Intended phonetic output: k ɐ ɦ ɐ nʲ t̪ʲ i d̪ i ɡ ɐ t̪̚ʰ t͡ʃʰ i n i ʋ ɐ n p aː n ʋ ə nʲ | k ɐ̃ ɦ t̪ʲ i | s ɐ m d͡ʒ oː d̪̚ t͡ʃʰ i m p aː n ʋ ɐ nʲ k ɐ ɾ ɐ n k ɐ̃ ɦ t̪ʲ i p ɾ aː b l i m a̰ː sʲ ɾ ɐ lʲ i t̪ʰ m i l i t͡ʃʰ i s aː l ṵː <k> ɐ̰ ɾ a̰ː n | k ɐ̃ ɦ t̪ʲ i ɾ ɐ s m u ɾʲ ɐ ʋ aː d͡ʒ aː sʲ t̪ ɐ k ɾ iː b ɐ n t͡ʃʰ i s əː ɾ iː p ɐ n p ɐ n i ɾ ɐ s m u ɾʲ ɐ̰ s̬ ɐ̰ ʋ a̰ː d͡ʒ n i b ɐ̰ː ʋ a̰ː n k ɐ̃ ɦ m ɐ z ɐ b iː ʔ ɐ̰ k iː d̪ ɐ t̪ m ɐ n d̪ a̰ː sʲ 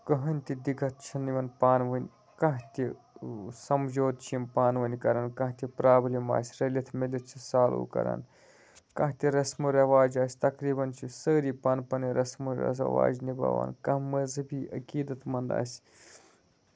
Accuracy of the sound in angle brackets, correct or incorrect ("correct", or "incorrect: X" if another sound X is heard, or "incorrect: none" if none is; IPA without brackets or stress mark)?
correct